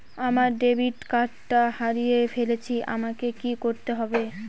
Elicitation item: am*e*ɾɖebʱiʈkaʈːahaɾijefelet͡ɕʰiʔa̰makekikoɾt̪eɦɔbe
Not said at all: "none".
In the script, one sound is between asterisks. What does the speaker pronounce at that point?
a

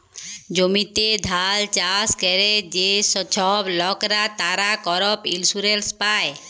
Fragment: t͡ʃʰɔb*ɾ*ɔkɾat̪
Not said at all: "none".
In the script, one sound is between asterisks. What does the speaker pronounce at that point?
l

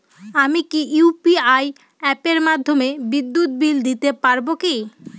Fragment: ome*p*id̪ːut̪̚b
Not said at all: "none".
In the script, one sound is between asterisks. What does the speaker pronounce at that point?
b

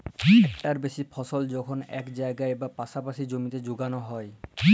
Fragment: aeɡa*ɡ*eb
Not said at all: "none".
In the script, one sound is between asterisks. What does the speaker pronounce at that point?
none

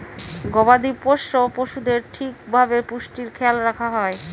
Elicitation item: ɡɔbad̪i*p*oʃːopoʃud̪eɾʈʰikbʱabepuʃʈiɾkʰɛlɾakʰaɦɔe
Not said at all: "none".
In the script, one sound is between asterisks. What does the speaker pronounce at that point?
p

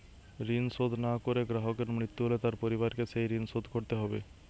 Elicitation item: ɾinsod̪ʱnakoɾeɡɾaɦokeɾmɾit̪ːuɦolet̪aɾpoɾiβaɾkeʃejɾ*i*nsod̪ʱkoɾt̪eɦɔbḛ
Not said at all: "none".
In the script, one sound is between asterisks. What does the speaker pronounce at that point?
i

